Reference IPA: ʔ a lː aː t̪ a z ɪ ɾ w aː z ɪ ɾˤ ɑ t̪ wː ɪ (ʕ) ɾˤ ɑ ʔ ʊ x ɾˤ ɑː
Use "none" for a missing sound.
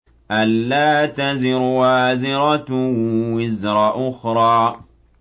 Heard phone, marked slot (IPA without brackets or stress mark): z